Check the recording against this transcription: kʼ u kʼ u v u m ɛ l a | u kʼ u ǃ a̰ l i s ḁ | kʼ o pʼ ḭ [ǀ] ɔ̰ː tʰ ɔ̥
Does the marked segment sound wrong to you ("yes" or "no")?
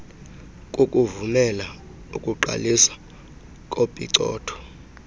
no